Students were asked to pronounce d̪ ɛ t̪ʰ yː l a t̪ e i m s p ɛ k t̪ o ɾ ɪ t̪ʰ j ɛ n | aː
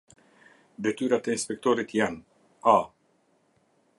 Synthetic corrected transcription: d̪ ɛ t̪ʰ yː ɾ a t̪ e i n s p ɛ k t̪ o ɾ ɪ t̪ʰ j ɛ n | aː